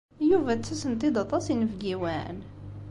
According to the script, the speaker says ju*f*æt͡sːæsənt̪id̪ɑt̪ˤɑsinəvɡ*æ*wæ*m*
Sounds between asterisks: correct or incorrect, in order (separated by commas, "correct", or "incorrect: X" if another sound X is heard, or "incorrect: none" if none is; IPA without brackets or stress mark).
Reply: incorrect: v, incorrect: i, incorrect: n